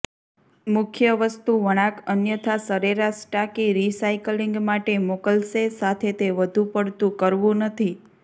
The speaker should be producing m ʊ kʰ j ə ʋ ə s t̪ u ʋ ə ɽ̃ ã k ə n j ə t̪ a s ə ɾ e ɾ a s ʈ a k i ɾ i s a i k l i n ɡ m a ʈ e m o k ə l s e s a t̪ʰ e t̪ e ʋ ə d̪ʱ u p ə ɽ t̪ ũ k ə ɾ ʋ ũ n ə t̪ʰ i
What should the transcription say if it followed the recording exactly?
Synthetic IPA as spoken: m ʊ kʰ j ə ʋ ə s t̪ u ʋ ə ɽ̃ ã k ə n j ə t̪ʰ a s ə ɾ e ɾ a s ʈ a k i ɾ i s a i k l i ŋ ɡ m a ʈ e m o k ə l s e s a t̪ʰ e t̪ e ʋ ə d̪ʱ u p ə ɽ t̪ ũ k ə ɾ ʋ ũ n ə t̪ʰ i